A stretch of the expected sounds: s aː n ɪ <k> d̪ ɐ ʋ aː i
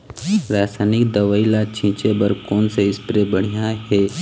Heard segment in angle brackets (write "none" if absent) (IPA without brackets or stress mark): k